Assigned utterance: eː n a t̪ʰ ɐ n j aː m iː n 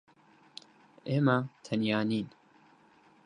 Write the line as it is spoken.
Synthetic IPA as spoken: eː m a t̪ʰ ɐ n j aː n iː n